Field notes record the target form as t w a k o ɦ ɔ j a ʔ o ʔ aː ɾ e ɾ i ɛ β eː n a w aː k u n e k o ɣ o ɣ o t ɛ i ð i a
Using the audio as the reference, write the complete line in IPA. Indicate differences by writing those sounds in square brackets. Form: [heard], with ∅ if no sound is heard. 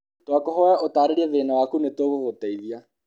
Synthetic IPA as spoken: t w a k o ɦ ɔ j a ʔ o [t] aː ɾ e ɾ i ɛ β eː n a w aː k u n e [t] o ɣ o ɣ o t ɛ i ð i a